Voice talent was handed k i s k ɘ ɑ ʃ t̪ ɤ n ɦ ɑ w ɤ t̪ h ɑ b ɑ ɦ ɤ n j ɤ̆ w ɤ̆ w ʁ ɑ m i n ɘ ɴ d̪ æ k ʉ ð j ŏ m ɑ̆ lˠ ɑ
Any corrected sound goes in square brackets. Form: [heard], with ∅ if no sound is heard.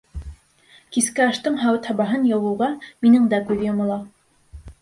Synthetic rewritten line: k i s k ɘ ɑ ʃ t̪ ɤ [ɴ] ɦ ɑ w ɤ t̪ h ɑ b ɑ ɦ ɤ n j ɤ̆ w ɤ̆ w ʁ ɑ m i n ɘ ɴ d̪ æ k ʉ ð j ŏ m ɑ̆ lˠ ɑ